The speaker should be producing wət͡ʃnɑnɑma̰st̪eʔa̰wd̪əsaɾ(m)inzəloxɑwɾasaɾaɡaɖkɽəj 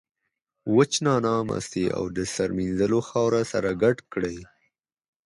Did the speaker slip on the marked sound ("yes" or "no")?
no